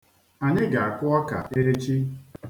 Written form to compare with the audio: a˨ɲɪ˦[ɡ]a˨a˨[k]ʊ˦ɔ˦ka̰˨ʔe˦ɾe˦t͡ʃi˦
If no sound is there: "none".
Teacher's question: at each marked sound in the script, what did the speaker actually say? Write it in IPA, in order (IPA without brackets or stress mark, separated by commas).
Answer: ɡ, k